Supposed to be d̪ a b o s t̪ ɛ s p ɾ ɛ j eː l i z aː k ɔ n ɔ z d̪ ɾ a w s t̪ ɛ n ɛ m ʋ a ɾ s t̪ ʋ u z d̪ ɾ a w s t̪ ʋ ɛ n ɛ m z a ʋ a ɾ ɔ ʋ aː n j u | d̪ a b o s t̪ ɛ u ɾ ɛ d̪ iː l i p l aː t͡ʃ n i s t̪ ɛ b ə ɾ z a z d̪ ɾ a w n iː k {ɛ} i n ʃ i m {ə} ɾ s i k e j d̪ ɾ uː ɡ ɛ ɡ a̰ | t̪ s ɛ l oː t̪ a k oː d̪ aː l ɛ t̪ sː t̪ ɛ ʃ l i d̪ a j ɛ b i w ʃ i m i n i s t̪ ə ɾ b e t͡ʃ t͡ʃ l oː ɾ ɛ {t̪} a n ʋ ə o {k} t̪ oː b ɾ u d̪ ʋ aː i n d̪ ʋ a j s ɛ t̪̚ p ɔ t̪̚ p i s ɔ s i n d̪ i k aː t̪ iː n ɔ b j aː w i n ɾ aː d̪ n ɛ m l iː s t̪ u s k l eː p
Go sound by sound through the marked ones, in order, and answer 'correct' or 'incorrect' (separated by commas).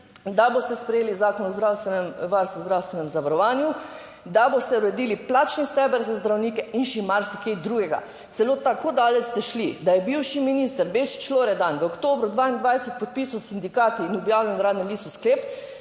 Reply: correct, incorrect, incorrect, correct